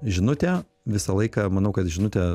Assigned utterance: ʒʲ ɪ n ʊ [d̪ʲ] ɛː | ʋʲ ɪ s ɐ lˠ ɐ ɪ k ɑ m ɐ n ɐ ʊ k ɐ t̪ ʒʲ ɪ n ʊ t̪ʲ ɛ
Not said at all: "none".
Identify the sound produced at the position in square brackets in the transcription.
t̪ʲ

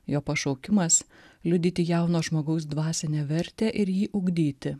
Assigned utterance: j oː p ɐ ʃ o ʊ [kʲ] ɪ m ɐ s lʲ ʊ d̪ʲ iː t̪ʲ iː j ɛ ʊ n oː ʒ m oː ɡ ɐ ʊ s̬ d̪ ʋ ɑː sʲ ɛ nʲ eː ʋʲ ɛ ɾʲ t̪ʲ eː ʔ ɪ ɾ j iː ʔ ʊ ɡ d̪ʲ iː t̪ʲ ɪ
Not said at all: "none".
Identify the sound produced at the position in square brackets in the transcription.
kʲ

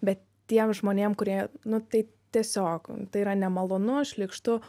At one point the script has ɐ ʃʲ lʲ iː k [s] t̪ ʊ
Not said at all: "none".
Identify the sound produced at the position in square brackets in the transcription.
ʃ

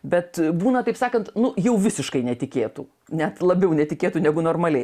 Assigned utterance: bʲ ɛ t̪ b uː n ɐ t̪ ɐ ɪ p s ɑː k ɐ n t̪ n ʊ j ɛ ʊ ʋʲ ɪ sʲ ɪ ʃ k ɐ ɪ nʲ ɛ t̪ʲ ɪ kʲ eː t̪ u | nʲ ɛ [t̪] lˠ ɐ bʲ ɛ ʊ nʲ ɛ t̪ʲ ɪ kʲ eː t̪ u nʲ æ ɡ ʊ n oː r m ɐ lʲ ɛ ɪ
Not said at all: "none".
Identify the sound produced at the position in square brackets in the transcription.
t̪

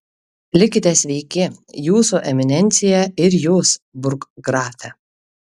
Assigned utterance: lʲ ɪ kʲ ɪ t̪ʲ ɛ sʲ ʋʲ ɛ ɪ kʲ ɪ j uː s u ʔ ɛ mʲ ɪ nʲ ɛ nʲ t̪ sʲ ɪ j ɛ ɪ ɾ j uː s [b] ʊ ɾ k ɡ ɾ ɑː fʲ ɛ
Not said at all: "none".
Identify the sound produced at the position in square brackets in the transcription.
b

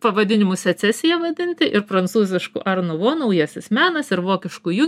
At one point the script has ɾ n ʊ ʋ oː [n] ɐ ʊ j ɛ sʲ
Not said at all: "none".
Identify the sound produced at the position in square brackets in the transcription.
n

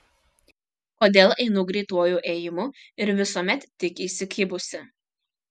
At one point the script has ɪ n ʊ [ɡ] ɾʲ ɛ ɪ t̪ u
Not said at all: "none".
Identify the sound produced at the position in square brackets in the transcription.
ɡ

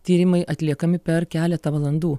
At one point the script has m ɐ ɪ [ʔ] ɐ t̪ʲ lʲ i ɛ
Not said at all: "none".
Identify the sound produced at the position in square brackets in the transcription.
ʔ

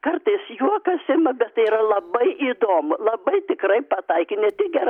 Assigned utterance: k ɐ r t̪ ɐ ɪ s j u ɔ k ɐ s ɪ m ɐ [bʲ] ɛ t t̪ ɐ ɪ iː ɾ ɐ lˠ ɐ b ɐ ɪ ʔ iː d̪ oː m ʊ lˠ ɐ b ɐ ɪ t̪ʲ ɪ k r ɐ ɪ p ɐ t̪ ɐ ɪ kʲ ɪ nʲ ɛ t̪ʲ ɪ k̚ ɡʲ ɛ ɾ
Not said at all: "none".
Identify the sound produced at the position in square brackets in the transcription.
bʲ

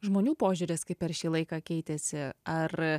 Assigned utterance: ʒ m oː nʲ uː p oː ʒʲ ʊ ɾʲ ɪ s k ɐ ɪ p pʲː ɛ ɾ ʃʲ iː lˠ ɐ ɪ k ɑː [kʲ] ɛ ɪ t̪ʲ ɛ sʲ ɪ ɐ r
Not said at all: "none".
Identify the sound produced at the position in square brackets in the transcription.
kʲ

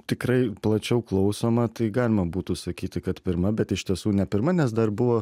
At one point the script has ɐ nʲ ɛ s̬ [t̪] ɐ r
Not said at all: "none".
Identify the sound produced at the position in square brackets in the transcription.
d̪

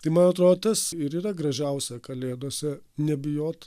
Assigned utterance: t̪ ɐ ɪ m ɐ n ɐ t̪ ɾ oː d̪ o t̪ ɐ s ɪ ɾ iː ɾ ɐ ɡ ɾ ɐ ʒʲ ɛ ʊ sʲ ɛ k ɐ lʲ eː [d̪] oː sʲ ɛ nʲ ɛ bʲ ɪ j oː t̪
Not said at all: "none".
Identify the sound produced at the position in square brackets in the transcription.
d̪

